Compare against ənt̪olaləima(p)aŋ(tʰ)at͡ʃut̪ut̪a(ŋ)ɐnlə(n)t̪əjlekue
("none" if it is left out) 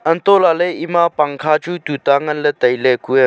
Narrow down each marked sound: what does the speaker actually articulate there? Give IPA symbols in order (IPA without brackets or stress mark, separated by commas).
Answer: p, kʰ, ŋ, none